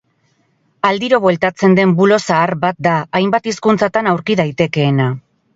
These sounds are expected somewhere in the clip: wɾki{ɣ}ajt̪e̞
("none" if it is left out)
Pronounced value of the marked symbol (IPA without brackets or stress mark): ð